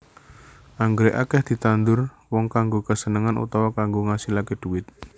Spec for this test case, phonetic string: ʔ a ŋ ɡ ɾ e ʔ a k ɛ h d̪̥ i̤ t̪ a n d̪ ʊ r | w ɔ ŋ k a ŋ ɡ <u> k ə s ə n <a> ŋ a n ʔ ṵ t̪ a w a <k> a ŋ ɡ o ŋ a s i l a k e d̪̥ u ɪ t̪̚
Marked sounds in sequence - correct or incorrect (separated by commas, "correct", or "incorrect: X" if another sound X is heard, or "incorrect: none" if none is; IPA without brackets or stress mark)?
incorrect: o, incorrect: ə, correct